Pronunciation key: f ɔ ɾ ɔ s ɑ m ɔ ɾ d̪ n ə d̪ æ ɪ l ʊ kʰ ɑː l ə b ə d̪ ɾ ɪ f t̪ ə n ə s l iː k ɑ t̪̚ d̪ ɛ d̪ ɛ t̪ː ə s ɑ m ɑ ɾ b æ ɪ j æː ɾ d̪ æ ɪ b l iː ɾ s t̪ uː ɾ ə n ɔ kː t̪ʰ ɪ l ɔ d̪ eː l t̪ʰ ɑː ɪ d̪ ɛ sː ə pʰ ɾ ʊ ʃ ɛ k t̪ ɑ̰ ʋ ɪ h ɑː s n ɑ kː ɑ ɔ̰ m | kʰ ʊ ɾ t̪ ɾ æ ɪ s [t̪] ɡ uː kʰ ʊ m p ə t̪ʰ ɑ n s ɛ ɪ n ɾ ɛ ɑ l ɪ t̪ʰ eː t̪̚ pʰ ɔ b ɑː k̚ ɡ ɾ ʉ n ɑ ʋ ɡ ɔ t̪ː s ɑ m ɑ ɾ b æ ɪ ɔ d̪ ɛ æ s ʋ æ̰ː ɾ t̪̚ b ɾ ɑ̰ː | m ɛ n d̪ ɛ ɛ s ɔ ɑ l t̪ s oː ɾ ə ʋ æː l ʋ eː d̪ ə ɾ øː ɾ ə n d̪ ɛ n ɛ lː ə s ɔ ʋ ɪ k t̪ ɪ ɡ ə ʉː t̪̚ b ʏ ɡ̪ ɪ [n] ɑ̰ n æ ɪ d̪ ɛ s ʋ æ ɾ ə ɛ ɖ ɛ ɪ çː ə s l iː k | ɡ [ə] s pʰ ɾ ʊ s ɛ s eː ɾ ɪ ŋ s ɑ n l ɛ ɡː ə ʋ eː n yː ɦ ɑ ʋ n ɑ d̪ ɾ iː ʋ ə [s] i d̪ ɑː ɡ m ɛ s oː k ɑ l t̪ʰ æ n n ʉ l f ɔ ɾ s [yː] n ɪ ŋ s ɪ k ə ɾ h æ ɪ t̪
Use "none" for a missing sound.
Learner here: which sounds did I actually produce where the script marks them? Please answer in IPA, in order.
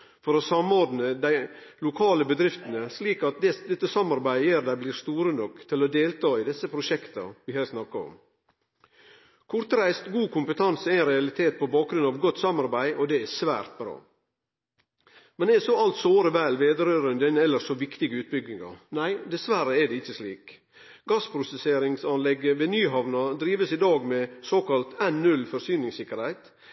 t̪, ŋ, ɑ, s, yː

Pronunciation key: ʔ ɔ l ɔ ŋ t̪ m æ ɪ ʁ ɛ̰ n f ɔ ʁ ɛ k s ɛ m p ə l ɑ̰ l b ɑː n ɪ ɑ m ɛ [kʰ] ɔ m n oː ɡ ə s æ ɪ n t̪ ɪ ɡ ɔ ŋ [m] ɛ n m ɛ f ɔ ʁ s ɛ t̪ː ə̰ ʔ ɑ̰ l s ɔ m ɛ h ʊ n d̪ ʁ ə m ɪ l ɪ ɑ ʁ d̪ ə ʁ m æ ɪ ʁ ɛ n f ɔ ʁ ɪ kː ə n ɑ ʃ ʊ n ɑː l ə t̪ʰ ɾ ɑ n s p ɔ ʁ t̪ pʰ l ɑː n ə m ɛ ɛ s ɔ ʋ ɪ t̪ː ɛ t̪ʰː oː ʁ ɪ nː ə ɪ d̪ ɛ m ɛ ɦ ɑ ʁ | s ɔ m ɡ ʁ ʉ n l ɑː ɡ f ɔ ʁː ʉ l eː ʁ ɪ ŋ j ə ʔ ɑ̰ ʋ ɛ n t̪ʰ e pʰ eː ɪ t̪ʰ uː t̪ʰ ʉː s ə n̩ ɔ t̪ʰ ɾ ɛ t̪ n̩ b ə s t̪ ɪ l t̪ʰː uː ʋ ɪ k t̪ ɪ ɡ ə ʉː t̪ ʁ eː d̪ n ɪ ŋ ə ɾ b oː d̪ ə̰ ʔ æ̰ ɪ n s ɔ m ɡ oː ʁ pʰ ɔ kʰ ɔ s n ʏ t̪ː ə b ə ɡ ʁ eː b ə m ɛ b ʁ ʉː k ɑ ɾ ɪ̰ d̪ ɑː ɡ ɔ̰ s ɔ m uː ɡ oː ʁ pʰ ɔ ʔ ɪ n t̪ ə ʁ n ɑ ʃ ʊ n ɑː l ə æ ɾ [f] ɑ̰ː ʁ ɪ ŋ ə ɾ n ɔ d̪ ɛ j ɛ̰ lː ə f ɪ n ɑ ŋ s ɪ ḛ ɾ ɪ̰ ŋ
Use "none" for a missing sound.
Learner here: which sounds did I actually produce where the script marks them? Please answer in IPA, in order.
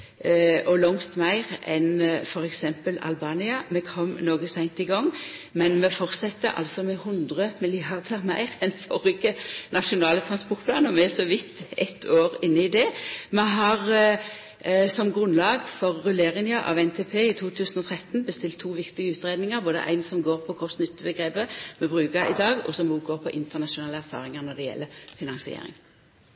kʰ, m, f

